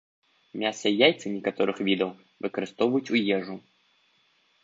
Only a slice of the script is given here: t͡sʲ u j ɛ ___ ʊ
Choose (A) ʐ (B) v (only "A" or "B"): A